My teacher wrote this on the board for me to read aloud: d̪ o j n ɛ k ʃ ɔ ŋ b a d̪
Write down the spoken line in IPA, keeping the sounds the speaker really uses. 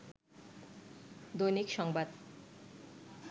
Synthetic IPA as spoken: d̪ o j n i k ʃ ɔ ŋ b a d̪